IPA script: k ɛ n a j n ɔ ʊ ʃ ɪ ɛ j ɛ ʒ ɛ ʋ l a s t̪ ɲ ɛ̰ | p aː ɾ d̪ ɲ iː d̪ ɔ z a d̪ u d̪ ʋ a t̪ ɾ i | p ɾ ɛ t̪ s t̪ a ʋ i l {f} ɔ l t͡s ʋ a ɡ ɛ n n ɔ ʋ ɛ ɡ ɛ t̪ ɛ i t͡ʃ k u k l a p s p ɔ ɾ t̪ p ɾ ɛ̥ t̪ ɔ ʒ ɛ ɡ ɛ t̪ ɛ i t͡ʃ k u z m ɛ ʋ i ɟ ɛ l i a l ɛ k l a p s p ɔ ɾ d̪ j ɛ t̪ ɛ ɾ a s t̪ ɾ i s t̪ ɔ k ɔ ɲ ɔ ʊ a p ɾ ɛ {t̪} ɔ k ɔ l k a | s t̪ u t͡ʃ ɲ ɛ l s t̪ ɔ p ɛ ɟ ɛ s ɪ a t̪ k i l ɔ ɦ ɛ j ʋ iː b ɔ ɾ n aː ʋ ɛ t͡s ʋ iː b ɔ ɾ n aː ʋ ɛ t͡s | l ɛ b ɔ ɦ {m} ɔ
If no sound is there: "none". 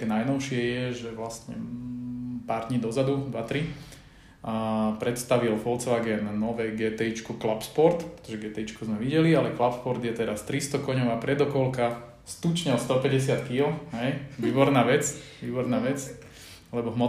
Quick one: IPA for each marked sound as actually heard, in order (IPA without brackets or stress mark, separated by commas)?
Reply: f, d̪, m